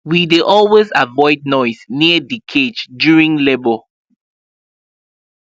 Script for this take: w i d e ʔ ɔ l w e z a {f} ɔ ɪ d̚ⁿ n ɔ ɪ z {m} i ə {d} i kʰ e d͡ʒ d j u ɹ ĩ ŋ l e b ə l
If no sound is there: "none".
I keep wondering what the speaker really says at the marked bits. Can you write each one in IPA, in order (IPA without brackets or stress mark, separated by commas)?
v, n, d